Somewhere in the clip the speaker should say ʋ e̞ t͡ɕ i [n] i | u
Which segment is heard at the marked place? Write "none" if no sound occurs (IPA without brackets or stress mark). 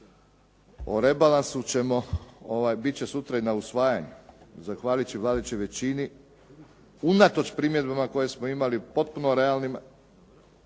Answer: n